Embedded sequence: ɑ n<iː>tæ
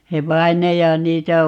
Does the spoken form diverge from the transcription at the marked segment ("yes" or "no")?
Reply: no